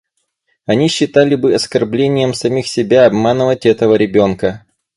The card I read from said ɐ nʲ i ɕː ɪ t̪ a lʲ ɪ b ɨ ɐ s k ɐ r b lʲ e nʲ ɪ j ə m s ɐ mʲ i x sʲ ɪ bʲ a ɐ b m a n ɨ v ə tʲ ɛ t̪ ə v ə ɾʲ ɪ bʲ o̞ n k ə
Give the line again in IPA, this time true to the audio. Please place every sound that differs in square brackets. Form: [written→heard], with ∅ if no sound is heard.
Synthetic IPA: ɐ nʲ i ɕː ɪ t̪ a lʲ ɪ b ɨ ɐ s k ɐ r b lʲ e nʲ ɪ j ə m s ɐ mʲ i x sʲ ɪ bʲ a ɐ b m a n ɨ v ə tʲ ɛ t̪ ə v ə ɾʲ ɪ bʲ o̞ n k ə